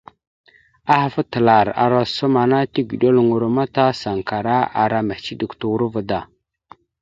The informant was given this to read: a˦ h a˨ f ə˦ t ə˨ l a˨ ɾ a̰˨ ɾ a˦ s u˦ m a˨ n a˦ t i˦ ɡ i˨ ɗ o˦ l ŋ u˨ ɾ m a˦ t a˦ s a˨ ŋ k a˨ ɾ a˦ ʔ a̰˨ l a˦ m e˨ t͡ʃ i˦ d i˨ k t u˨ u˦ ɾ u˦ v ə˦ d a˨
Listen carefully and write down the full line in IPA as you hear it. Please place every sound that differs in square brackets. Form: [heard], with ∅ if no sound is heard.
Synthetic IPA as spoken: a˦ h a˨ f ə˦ t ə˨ l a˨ ɾ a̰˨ ɾ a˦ s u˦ m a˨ n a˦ t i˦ ɡ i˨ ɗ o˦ l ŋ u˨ ɾ m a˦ t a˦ s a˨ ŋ k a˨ ɾ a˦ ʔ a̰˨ [ɾ] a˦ m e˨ t͡ʃ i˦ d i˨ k t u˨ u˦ ɾ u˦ v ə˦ d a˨